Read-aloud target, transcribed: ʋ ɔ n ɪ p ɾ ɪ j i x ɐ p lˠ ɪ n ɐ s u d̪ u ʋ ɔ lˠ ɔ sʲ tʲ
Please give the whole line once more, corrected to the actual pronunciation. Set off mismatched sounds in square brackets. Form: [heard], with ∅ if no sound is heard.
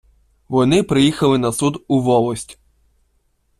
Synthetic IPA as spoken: ʋ ɔ n ɪ p ɾ ɪ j i x ɐ [∅] lˠ ɪ n ɐ s u d̪ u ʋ ɔ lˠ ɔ sʲ tʲ

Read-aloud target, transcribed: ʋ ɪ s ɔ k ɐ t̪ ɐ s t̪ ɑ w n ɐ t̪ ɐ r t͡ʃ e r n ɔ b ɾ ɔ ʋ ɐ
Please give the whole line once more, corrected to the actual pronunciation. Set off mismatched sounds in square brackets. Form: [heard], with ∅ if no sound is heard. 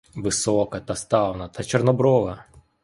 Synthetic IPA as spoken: ʋ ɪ s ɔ k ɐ t̪ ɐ s t̪ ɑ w n ɐ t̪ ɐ [∅] t͡ʃ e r n ɔ b ɾ ɔ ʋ ɐ

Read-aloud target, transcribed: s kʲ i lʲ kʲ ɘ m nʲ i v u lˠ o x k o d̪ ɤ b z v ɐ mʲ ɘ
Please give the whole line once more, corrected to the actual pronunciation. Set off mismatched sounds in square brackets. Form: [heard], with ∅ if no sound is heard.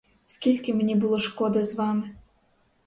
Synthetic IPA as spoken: s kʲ i lʲ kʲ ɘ m nʲ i [b] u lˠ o [ʃ] k o d̪ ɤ [∅] z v [ɑ] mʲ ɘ

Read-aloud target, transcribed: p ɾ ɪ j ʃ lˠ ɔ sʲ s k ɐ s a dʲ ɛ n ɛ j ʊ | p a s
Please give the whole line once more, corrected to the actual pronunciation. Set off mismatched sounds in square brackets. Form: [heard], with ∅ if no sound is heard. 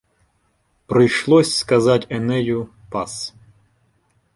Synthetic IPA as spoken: p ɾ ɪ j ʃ lˠ ɔ sʲ s k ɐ [z] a [tʲ] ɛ n ɛ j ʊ | p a s

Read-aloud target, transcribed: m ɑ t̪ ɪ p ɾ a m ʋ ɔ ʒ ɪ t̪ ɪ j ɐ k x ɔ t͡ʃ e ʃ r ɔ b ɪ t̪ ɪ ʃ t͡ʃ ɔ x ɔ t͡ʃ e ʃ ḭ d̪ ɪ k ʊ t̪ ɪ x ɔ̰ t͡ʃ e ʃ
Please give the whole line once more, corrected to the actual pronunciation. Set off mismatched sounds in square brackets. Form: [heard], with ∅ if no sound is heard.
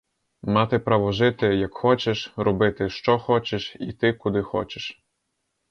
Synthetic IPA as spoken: m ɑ t̪ ɪ p ɾ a [∅] ʋ ɔ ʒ ɪ t̪ ɪ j ɐ k x ɔ t͡ʃ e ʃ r ɔ b ɪ t̪ ɪ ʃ t͡ʃ ɔ x ɔ t͡ʃ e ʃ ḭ [t̪] ɪ k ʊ [d̪] ɪ x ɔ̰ t͡ʃ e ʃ

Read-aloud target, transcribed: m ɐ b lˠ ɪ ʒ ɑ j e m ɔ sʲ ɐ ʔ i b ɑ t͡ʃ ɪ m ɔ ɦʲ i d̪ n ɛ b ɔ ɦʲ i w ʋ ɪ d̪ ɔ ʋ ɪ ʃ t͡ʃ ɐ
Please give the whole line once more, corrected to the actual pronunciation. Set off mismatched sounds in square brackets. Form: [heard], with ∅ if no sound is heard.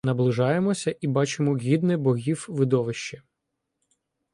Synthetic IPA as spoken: [n] ɐ b lˠ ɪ ʒ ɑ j e m ɔ sʲ ɐ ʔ i b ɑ t͡ʃ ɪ m ɔ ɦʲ i d̪ n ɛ b ɔ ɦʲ i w ʋ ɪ d̪ ɔ ʋ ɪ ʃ t͡ʃ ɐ

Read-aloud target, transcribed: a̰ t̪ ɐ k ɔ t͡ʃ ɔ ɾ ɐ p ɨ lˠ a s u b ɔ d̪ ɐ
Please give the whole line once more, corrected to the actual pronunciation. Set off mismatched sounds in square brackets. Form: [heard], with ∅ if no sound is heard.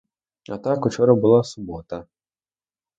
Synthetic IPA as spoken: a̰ t̪ [a] k [u] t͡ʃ ɔ ɾ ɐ [b] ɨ lˠ a s u b ɔ [t̪] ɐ

